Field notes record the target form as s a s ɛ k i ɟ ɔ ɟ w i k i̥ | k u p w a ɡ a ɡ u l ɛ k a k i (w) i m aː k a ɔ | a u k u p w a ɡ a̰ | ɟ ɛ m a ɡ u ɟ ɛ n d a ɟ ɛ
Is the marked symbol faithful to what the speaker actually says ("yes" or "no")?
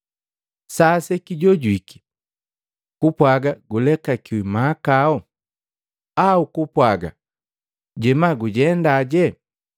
yes